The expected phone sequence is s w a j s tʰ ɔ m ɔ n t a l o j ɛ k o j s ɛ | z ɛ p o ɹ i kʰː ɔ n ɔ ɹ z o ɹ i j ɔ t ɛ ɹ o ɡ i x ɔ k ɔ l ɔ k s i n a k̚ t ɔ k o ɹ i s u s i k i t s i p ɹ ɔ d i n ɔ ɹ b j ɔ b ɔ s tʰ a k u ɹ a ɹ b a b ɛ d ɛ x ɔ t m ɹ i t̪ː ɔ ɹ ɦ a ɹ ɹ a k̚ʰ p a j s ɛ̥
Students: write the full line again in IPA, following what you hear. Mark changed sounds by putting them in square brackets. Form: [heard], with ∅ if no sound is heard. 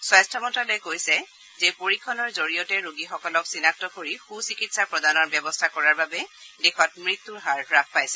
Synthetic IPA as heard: s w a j s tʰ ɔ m ɔ n t a l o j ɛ k o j s ɛ | z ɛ p o ɹ i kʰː ɔ n ɔ ɹ z o ɹ i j ɔ t ɛ ɹ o ɡ i x ɔ k ɔ l ɔ k s i n a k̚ t ɔ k o ɹ i [x] u s i k i t s [a] p ɹ ɔ d [a] n ɔ ɹ b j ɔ b ɔ s tʰ a k [ɔ] ɹ a ɹ b a b ɛ d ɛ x ɔ t m ɹ i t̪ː [u] ɹ ɦ a ɹ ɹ a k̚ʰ p a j s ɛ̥